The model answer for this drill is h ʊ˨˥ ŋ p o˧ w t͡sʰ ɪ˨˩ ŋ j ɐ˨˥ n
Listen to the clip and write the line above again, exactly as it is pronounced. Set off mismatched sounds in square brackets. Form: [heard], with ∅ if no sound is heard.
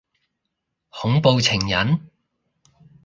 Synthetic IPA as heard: h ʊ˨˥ ŋ p o˧ w t͡sʰ ɪ˨˩ ŋ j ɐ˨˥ n

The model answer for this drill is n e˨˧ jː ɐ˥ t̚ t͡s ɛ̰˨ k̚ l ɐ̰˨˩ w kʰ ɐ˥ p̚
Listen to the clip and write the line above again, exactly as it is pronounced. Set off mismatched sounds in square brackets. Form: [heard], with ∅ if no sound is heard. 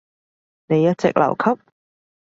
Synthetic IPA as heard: n e˨˧ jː ɐ˥ t̚ t͡s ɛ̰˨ k̚ l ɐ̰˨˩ w kʰ ɐ˥ p̚

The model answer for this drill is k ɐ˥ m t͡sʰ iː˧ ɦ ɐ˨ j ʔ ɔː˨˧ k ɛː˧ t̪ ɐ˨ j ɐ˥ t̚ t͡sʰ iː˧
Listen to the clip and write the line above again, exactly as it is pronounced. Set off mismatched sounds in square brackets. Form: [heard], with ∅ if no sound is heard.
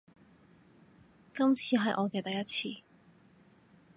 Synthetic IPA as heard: k ɐ˥ m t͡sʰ iː˧ ɦ ɐ˨ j ʔ ɔː˨˧ k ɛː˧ t̪ ɐ˨ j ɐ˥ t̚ t͡sʰ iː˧

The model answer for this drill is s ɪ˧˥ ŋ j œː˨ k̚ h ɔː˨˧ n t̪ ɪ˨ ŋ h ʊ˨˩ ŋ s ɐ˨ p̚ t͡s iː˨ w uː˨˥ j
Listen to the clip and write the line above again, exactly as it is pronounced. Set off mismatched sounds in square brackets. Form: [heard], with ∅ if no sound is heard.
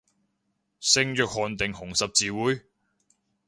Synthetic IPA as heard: s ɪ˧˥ ŋ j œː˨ k̚ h ɔː˨˧ n t̪ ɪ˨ ŋ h ʊ˨˩ ŋ s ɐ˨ p̚ t͡s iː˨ w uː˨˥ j

